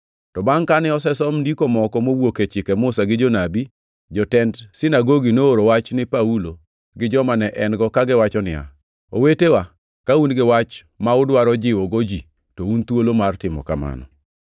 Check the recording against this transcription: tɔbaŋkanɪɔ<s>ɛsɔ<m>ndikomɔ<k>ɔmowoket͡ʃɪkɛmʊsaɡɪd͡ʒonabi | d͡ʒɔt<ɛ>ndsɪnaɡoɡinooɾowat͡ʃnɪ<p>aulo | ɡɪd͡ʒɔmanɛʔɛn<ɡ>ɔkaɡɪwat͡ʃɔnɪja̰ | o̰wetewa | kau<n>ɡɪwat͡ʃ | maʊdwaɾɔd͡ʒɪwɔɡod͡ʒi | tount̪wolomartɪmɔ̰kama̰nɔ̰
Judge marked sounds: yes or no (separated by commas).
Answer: yes, yes, yes, yes, yes, yes, yes